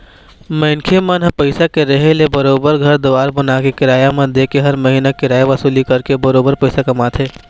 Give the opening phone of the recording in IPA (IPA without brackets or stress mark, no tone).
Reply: m